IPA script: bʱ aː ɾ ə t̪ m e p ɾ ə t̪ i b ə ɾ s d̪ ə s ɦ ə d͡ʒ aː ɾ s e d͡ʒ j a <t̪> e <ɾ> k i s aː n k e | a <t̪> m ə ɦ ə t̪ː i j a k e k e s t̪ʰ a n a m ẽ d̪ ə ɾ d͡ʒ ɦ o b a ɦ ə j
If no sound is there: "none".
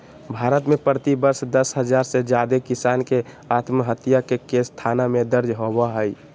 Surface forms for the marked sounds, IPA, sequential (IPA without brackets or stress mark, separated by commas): d̪, none, t̪